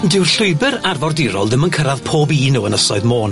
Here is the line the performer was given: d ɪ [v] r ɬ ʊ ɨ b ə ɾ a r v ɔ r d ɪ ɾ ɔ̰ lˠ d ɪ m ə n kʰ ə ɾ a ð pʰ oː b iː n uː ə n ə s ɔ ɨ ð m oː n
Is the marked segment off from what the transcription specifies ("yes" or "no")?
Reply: yes